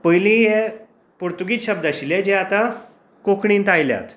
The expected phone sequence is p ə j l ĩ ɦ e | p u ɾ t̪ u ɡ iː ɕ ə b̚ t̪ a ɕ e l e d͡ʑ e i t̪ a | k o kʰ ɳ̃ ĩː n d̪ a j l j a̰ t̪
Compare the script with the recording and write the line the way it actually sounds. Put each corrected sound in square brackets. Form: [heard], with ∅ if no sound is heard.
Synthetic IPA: p ə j l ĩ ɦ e | p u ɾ t̪ u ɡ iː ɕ ə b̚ [d̪] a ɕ [i] l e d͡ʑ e [a] t̪ a | k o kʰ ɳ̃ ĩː n [t̪] a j l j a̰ t̪